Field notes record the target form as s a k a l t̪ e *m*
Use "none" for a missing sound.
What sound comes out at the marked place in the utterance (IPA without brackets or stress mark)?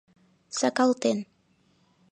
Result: n